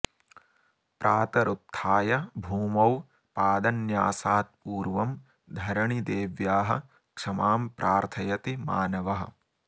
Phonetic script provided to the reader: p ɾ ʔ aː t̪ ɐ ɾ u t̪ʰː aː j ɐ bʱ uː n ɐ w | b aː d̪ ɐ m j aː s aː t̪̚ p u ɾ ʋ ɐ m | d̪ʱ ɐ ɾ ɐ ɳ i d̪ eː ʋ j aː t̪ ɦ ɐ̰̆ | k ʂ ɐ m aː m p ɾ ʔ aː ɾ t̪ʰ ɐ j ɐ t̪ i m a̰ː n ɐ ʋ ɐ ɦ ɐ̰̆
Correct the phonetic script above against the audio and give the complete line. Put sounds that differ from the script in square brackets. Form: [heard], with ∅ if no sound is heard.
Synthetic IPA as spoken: p ɾ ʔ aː t̪ ɐ ɾ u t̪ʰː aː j ɐ bʱ uː [m] ɐ w | [p] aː d̪ ɐ [n] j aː s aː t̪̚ p [uː] ɾ ʋ ɐ m | d̪ʱ ɐ ɾ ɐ ɳ i d̪ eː ʋ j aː [∅] ɦ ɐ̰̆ | k ʂ ɐ m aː m p ɾ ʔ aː ɾ t̪ʰ ɐ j ɐ t̪ i m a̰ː n ɐ ʋ ɐ ɦ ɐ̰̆